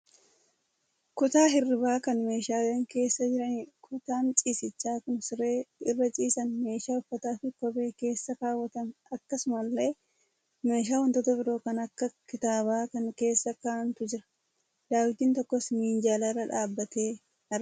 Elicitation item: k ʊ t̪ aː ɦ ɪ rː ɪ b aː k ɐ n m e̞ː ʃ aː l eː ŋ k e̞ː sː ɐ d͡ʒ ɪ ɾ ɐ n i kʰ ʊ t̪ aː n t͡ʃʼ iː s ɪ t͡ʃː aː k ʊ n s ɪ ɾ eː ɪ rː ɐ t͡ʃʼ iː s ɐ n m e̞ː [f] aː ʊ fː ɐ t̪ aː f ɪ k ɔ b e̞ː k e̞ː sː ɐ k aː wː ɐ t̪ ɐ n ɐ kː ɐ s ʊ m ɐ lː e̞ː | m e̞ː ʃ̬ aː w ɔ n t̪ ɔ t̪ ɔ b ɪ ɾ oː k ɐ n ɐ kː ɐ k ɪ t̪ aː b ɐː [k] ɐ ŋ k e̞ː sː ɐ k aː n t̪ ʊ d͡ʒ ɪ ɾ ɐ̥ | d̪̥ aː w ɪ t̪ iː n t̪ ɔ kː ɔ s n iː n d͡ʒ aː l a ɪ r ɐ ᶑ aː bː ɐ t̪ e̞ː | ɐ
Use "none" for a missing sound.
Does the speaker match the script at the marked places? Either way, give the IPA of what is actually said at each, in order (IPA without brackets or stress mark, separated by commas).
ʃ, k